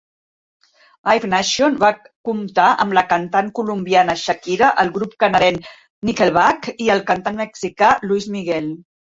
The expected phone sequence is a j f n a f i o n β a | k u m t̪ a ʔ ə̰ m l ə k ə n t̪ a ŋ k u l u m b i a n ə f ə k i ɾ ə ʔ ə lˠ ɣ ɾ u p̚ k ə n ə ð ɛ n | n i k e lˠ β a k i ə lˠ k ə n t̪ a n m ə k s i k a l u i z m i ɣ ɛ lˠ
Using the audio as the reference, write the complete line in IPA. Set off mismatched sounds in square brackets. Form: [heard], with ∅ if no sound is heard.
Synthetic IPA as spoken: a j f n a [ʃ] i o n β a | k u m t̪ a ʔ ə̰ m l ə k ə n t̪ a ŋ k u l u m b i a n ə [ʃ] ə k i ɾ ə ʔ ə lˠ ɣ ɾ u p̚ k ə n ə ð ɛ n | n i k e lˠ β a k i ə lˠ k ə n t̪ a n m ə k s i k a l u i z m i ɣ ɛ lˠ